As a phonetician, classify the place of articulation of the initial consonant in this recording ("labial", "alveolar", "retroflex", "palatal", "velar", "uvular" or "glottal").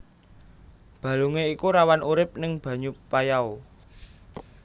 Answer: labial